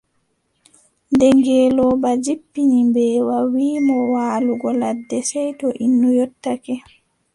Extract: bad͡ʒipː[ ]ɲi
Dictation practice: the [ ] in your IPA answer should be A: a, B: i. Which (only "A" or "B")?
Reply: B